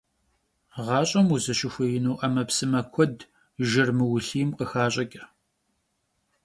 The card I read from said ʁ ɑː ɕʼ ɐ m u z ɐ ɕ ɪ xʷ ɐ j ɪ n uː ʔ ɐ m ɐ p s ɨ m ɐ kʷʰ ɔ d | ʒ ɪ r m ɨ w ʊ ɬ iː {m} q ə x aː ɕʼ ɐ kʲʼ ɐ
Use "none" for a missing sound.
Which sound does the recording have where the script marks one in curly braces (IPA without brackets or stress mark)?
m